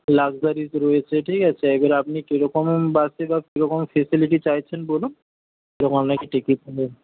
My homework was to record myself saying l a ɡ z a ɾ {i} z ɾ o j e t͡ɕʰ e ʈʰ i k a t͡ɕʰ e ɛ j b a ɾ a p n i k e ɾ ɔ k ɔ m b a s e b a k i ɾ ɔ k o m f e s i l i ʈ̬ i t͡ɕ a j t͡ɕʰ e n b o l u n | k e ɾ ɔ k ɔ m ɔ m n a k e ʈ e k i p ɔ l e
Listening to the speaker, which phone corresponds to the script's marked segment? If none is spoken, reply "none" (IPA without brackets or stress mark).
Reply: i